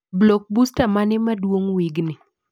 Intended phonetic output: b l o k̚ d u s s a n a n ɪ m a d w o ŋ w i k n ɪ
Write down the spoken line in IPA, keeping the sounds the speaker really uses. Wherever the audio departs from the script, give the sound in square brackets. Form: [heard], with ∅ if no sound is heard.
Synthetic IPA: b l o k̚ [b] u s [t] a [m] a n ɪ m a d w o ŋ w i [ɡ] n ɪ